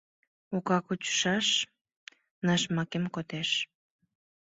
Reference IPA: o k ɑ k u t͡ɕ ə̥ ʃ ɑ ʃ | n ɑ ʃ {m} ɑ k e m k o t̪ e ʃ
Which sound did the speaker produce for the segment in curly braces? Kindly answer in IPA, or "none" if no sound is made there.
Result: m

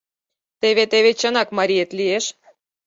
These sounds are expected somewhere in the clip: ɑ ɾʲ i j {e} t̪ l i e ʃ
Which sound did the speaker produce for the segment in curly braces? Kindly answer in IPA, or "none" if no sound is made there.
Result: e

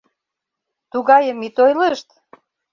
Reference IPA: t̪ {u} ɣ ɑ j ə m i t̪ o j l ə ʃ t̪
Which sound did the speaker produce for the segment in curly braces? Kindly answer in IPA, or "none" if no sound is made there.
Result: u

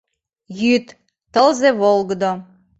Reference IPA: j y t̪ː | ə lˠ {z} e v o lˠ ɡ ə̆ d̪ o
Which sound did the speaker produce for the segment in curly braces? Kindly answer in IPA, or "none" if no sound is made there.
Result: z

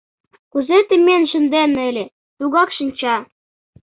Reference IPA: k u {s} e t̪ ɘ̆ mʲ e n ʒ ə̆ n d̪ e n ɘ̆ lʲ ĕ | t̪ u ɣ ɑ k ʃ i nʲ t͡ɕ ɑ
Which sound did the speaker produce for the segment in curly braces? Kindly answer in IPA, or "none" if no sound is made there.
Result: z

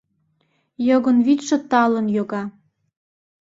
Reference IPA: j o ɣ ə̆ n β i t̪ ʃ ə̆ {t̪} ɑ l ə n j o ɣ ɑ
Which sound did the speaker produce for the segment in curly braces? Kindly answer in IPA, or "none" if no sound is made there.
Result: t̪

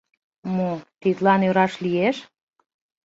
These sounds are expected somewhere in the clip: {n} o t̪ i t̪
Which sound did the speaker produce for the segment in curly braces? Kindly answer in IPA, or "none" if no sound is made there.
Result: m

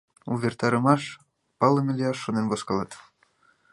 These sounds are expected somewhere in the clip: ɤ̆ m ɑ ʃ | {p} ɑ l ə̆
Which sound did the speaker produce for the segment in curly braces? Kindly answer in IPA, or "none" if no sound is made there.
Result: p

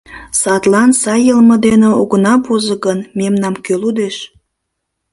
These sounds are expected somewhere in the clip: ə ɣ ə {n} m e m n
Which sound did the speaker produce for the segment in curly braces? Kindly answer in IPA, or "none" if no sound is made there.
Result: n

